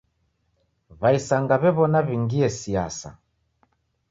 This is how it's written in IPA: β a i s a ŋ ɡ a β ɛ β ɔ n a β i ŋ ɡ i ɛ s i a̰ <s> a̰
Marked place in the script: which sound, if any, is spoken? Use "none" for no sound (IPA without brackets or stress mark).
s